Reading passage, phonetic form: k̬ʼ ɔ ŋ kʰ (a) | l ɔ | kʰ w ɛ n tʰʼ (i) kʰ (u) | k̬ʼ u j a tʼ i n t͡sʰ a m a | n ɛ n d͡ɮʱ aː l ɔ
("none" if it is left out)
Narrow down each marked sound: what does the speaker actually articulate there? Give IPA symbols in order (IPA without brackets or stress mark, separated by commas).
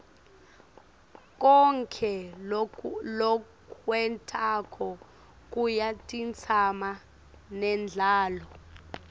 ɛ, a, ɔ